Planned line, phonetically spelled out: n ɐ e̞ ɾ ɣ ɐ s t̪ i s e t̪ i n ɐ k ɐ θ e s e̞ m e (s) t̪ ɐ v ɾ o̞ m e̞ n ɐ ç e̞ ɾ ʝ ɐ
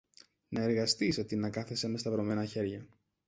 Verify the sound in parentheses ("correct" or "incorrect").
correct